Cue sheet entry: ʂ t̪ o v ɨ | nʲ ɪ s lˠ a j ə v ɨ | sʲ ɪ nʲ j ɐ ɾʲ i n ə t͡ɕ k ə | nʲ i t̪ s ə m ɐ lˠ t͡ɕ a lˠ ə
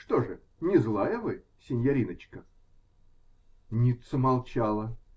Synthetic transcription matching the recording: ʂ t̪ o ʐ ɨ | nʲ ɪ z lˠ a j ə v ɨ | sʲ ɪ nʲ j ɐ ɾʲ i n ə t͡ɕ k ə | nʲ i t̪ s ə m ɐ lˠ t͡ɕ a lˠ ə